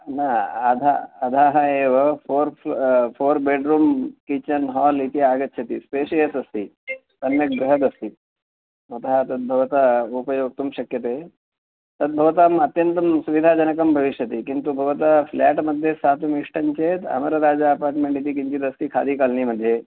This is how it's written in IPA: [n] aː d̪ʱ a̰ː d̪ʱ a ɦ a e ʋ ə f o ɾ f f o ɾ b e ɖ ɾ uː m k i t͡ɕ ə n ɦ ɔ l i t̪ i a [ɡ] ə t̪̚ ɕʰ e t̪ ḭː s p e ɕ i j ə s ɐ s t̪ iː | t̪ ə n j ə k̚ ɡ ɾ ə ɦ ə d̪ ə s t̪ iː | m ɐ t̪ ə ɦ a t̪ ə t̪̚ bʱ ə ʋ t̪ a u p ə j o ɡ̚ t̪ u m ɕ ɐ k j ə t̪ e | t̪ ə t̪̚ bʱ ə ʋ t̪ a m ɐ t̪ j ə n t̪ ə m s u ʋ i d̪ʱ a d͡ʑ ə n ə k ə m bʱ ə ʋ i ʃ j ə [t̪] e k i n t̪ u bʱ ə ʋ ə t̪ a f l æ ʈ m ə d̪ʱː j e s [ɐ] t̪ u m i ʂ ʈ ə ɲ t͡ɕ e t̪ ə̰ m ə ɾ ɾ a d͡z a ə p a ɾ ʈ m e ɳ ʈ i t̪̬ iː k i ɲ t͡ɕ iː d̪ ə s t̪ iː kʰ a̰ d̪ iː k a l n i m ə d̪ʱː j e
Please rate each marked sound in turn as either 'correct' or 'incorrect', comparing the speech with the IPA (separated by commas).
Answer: correct, correct, correct, incorrect